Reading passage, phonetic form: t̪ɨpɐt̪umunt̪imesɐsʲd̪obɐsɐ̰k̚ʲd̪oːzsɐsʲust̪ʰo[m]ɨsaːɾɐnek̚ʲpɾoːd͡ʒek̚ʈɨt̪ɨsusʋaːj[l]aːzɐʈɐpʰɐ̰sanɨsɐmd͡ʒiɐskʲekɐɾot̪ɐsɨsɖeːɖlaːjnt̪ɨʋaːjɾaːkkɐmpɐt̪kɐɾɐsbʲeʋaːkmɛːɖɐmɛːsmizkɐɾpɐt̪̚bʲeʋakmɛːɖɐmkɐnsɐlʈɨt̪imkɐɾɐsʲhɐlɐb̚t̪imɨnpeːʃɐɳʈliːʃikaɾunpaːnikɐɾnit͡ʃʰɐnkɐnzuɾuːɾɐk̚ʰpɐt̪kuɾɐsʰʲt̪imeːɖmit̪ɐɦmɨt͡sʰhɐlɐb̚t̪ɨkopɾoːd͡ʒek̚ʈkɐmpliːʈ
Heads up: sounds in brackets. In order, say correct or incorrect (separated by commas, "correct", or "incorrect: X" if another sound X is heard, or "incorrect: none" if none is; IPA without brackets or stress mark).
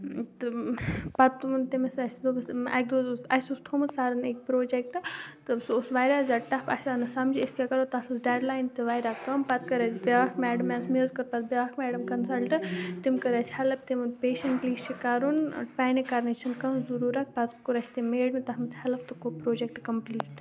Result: correct, incorrect: ɾ